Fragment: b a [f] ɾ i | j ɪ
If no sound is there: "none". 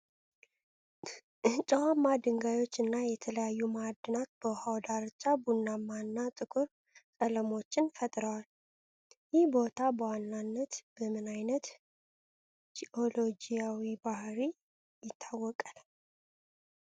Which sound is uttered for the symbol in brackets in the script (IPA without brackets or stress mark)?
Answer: h